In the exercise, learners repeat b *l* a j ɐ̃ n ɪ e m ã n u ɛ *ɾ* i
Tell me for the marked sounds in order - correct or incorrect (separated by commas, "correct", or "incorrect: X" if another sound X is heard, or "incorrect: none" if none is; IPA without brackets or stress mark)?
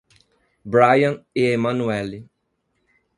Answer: incorrect: ɾ, incorrect: l